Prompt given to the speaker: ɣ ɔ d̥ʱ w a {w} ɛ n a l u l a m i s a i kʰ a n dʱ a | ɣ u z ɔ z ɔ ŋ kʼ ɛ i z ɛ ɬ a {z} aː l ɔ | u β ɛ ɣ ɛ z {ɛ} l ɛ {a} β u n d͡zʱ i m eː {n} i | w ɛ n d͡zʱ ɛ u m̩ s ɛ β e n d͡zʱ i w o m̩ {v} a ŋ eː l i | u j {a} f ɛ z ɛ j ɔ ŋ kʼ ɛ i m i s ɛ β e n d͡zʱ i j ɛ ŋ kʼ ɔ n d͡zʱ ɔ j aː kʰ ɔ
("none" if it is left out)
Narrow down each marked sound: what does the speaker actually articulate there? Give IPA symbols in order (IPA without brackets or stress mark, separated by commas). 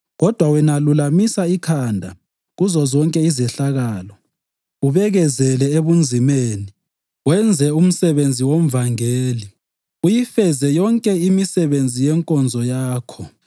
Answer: w, ɣ, ɛ, e, n, v, i